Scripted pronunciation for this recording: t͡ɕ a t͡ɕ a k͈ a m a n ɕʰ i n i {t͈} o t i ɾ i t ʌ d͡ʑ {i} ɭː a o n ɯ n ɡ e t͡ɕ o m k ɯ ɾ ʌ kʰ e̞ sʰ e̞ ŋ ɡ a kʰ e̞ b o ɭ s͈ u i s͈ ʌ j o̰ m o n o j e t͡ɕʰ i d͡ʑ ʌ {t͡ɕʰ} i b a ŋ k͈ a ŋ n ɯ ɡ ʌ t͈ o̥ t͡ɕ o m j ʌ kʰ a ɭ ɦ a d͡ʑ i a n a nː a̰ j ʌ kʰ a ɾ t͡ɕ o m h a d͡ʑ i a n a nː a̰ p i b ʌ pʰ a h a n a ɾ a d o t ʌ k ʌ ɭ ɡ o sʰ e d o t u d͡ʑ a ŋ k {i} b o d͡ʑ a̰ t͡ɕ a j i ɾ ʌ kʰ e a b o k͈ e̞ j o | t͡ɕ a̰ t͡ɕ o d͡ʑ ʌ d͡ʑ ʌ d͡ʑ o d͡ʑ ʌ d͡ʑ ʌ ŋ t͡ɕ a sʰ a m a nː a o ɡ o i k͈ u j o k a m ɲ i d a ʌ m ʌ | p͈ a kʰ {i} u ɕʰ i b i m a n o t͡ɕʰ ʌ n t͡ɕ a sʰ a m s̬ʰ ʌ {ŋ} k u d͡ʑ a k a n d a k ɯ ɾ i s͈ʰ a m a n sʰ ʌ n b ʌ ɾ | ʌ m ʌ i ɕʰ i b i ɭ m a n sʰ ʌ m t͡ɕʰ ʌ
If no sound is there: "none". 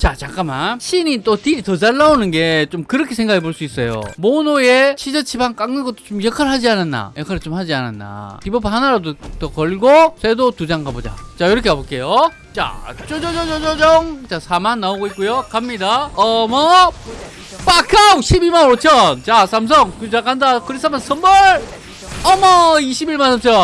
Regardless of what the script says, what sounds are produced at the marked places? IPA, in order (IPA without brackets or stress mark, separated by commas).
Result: t͈, a, t͡ɕʰ, a, a, ŋ